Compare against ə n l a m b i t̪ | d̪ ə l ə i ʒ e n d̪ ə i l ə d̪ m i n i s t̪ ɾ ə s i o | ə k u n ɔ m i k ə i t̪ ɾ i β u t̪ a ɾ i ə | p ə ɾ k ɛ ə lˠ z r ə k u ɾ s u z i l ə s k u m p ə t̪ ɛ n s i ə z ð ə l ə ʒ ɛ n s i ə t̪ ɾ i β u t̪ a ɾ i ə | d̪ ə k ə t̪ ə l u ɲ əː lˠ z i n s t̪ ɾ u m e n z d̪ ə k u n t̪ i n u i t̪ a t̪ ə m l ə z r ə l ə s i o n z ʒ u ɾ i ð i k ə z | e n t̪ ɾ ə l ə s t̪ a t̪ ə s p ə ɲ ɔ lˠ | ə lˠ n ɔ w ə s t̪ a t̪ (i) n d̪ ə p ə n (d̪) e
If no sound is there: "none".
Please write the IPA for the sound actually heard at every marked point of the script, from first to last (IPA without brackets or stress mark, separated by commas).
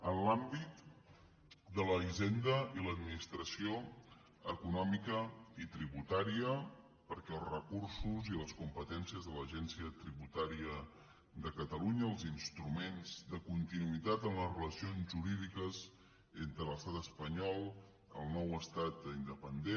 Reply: i, d̪